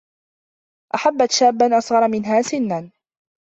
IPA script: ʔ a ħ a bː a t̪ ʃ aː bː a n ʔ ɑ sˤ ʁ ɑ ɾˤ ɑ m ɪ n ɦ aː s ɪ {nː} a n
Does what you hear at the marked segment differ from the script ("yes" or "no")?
no